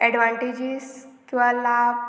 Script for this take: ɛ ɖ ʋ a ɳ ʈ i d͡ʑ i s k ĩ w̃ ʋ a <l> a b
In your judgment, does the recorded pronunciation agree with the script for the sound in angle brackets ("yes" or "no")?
yes